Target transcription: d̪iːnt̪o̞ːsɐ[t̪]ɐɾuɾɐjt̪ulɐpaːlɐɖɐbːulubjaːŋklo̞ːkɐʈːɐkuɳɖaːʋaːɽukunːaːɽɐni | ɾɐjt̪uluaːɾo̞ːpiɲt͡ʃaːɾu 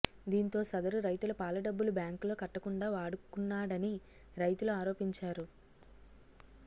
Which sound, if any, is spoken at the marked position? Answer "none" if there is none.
d̪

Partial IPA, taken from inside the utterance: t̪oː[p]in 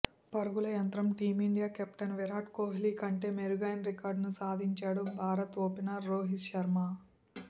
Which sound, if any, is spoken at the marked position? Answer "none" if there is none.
p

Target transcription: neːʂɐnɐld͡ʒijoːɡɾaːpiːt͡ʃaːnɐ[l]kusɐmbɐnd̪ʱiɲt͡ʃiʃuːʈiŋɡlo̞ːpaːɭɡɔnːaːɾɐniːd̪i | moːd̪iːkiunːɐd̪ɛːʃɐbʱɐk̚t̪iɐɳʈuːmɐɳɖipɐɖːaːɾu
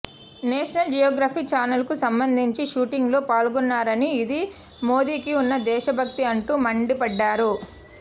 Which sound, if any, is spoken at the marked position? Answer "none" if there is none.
l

